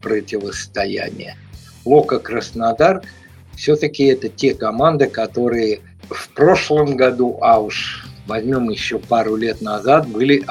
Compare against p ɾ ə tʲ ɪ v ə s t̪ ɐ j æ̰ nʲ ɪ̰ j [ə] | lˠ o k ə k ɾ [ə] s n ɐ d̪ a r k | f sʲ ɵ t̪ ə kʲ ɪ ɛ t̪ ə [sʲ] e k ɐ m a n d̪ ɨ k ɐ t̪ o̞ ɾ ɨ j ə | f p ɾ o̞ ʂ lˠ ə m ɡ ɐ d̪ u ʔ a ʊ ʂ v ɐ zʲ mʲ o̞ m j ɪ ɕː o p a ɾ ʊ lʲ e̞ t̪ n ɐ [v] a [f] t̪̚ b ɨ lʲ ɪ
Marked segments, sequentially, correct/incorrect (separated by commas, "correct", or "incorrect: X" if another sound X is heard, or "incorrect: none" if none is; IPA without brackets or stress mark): correct, correct, incorrect: tʲ, incorrect: z, incorrect: none